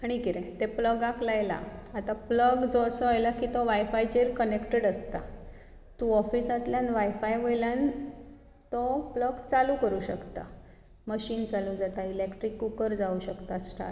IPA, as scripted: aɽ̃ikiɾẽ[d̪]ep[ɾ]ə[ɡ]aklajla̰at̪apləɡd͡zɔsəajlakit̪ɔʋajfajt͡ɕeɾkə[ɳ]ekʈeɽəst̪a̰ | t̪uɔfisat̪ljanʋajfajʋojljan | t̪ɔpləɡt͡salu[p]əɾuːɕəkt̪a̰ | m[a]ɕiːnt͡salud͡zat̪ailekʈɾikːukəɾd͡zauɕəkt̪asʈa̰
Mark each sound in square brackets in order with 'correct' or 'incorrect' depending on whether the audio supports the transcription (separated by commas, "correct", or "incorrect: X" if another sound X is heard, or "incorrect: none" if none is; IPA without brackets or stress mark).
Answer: incorrect: t̪, incorrect: l, correct, incorrect: n, incorrect: k, incorrect: ə